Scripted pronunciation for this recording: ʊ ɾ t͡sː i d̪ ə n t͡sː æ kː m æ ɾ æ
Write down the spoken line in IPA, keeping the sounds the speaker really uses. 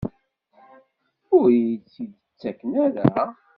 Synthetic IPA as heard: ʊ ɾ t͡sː i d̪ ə t͡sː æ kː n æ ɾ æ